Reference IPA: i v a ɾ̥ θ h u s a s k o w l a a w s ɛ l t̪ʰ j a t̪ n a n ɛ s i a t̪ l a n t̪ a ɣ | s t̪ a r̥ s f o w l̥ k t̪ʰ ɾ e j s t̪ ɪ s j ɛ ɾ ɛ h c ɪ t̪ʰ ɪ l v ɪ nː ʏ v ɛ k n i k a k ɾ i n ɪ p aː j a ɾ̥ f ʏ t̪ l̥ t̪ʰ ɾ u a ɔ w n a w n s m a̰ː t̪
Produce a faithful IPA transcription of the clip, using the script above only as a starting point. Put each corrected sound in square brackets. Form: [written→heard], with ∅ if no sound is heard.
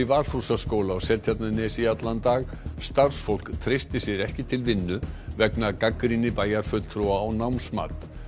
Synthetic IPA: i v a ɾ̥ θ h u s a s k o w l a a w s ɛ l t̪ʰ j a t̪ n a n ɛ s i a t̪ l a n t̪ a ɣ | s t̪ a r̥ s f o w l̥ k t̪ʰ ɾ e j s t̪ ɪ s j ɛ ɾ ɛ h c ɪ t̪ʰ ɪ l v ɪ nː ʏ v ɛ k n [i→a] k a k ɾ i n ɪ p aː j a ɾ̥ f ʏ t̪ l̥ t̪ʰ ɾ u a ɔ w n a w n s m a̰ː t̪